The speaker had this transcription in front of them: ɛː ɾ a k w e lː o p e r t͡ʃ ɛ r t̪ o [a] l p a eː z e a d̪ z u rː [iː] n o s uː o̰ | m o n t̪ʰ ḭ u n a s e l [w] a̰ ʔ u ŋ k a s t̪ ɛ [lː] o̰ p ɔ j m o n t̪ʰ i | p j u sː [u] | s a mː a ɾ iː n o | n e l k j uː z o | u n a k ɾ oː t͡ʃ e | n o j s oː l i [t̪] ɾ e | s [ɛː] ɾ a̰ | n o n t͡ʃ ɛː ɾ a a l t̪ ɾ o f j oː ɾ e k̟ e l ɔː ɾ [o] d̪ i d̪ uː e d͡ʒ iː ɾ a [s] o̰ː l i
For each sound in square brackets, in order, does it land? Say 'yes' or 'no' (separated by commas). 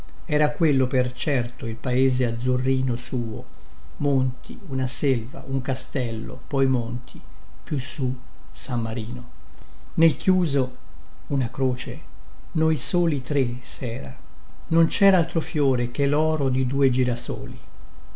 no, yes, no, yes, yes, yes, yes, yes, yes